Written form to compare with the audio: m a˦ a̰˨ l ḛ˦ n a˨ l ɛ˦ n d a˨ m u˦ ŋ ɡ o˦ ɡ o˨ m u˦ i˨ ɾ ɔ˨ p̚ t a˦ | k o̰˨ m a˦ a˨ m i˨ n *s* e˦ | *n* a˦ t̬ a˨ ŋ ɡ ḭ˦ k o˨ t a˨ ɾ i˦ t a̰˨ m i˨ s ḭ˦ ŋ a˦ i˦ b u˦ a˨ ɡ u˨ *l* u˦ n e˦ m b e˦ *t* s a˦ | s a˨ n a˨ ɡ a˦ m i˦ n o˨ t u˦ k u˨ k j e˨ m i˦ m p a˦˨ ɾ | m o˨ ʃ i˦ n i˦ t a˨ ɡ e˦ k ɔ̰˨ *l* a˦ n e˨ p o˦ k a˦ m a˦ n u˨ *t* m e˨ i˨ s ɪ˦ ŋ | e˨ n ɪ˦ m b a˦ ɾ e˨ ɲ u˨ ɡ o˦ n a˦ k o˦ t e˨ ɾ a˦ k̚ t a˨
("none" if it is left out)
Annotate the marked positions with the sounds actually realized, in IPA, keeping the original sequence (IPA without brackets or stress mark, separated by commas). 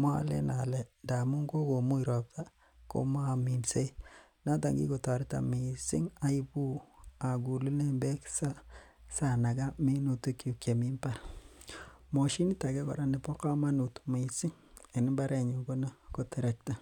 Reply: s, n, l, k, ɾ, t